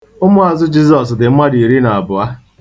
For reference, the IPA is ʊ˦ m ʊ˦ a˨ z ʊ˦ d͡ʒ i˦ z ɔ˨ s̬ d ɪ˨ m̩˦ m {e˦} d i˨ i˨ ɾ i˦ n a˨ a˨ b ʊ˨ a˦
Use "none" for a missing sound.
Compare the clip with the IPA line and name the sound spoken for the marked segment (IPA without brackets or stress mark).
a˦